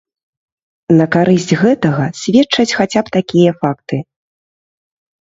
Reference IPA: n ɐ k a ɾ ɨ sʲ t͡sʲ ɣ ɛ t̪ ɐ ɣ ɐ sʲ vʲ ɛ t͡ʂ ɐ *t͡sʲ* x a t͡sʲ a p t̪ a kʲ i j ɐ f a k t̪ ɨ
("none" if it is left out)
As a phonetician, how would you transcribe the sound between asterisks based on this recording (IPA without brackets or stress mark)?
t͡sʲ